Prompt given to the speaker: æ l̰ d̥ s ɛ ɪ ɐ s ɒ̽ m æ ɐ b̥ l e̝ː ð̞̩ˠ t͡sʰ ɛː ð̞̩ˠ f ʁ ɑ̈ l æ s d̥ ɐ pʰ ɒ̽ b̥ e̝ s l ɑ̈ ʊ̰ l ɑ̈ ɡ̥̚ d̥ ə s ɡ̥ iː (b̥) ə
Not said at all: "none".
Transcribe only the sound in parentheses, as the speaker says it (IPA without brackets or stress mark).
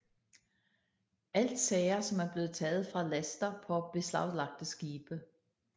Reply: b̥